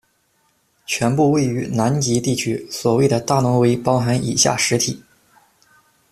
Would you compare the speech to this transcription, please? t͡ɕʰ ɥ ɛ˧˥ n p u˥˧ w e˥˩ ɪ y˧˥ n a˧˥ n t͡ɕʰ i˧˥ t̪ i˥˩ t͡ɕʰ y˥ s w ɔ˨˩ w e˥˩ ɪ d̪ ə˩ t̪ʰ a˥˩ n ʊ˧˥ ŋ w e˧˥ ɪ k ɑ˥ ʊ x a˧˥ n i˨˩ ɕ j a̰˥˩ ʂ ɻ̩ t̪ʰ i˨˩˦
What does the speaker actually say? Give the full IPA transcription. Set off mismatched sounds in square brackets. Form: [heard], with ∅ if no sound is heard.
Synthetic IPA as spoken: t͡ɕʰ ɥ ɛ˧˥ n p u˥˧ w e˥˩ ɪ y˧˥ n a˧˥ n [t͡ɕ] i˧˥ t̪ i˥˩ t͡ɕʰ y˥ s w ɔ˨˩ w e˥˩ ɪ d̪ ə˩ [t̪] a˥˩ n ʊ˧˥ ŋ w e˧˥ ɪ [p] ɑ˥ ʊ x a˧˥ n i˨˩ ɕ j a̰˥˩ ʂ ɻ̩ t̪ʰ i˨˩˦